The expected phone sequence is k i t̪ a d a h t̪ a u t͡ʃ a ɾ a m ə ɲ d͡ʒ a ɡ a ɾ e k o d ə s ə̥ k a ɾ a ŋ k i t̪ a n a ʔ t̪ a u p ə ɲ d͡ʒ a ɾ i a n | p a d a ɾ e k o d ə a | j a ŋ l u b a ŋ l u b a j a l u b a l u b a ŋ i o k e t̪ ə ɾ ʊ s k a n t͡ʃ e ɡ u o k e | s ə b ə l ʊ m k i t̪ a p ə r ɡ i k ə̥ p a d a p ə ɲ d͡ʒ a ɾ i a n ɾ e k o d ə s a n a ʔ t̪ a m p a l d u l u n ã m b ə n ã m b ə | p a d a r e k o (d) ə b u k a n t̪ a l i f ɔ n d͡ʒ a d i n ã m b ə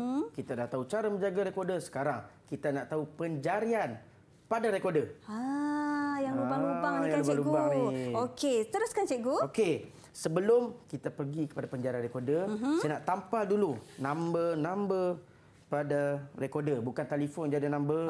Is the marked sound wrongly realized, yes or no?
no